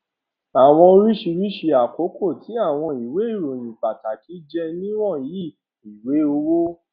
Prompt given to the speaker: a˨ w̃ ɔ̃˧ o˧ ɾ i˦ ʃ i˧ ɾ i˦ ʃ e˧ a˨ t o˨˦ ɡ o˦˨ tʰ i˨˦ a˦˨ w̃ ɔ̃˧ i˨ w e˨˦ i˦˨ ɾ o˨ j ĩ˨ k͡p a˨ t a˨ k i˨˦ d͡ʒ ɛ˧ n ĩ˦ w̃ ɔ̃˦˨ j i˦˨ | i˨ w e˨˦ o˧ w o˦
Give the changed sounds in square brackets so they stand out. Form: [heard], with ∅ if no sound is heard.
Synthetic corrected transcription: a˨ w̃ ɔ̃˧ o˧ ɾ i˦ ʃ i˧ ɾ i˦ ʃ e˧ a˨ [k] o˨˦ [k] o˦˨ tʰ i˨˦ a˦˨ w̃ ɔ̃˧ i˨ w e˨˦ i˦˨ ɾ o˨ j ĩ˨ k͡p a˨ t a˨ k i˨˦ d͡ʒ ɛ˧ n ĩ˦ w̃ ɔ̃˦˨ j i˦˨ | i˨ w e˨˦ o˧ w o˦